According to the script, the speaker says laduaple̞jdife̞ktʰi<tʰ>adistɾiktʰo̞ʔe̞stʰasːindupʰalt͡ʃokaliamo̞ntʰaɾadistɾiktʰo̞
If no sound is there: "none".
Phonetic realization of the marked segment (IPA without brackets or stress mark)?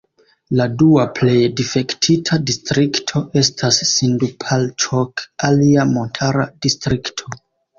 tʰ